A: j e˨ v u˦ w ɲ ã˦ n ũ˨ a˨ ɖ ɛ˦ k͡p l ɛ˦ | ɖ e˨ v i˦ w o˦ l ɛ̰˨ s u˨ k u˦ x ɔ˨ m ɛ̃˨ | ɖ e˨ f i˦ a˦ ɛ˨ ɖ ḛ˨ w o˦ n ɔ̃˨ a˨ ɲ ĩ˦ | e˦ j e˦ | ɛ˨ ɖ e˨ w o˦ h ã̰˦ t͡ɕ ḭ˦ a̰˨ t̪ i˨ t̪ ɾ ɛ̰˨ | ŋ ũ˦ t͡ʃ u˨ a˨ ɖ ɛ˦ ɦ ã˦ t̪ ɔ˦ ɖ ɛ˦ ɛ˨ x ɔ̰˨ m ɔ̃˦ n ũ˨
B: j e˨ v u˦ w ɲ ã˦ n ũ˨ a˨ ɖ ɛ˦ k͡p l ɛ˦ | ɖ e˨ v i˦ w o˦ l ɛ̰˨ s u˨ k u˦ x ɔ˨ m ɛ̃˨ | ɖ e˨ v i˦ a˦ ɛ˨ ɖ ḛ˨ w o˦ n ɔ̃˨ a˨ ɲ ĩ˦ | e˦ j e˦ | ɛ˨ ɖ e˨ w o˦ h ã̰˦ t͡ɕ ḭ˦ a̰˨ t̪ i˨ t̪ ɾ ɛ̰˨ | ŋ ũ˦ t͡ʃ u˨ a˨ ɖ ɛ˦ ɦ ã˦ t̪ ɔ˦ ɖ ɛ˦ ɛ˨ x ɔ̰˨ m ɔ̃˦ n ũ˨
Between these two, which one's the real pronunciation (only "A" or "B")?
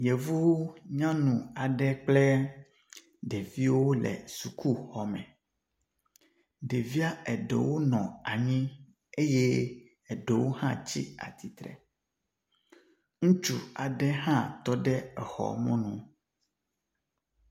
B